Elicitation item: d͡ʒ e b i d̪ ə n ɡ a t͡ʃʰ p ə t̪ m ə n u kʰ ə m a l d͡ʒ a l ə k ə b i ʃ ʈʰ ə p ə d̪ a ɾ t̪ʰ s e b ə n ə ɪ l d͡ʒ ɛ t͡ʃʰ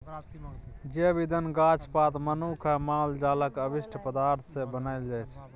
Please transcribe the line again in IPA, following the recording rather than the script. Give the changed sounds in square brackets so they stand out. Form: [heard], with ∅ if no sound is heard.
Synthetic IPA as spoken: d͡ʒ e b i d̪ ə n ɡ a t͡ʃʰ p [a] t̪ m ə n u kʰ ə m a l d͡ʒ a l ə k ə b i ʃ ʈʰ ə p ə d̪ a ɾ t̪ʰ s e b ə n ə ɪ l d͡ʒ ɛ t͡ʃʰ